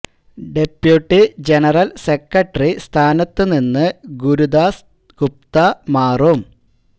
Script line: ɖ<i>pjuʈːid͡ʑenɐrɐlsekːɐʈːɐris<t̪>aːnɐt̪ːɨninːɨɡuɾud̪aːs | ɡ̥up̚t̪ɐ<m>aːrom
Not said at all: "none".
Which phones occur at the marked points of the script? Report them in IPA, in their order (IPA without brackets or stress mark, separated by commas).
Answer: e, t̪ʰ, m